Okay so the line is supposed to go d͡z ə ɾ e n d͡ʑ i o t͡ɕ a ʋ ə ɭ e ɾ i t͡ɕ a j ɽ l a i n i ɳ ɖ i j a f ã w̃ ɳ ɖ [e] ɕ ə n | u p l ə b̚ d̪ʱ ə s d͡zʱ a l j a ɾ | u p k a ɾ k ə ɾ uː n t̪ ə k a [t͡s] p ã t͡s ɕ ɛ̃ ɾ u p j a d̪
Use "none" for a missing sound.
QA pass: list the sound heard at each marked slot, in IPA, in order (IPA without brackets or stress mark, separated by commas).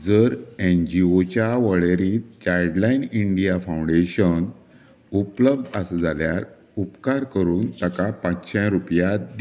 e, none